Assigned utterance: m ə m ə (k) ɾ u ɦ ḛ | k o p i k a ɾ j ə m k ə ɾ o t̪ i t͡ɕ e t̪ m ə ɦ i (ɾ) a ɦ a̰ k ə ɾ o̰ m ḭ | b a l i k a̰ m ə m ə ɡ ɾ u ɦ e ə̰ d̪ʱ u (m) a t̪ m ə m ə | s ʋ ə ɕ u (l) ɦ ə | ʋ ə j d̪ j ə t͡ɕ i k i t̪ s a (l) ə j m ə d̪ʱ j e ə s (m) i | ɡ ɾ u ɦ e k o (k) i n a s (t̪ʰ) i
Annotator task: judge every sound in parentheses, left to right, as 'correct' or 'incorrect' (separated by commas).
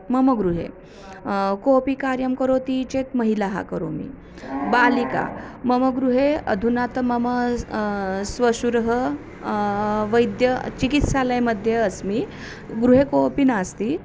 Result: incorrect, incorrect, incorrect, incorrect, correct, correct, incorrect, incorrect